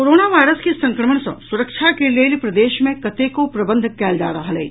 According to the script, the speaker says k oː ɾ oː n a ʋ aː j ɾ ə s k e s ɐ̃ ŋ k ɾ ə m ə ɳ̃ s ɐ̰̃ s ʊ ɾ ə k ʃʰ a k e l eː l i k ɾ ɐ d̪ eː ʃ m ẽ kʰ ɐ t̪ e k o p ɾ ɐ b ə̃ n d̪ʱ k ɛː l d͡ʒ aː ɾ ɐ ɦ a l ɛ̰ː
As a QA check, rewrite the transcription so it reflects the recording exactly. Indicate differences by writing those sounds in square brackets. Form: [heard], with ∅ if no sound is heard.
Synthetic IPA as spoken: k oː ɾ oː n a ʋ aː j ɾ ə s k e s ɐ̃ ŋ k ɾ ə m ə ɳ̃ s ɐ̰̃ s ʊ ɾ ə k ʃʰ a k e l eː l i [p] ɾ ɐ d̪ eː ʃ m ẽ [k] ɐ t̪ e k o p ɾ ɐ b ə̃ n d̪ʱ k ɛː l d͡ʒ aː ɾ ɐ ɦ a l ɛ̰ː